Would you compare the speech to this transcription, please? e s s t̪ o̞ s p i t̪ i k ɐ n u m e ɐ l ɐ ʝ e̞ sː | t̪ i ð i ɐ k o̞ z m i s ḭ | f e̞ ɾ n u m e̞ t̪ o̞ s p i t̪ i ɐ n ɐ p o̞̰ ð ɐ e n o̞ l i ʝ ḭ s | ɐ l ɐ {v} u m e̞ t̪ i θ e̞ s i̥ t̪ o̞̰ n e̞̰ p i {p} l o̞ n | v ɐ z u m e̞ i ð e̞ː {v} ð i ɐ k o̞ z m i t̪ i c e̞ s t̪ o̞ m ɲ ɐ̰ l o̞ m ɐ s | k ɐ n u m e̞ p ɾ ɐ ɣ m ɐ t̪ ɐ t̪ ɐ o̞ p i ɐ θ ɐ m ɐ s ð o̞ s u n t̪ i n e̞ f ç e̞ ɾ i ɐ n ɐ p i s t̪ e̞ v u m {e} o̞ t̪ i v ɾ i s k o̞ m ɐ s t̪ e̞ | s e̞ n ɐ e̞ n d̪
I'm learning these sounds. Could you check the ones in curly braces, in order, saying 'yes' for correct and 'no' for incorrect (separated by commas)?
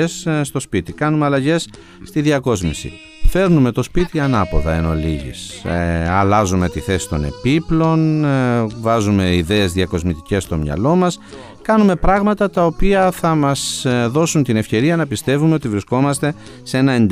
no, yes, no, yes